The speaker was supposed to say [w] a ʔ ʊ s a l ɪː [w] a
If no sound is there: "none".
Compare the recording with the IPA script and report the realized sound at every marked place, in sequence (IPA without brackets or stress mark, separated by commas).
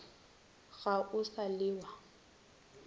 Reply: ɣ, w